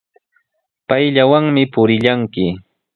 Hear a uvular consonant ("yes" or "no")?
no